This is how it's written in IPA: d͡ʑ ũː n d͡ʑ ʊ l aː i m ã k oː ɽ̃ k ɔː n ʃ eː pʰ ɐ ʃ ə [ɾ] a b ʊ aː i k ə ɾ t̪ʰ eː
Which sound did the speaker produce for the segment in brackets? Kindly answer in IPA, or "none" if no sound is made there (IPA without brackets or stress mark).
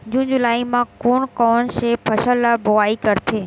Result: l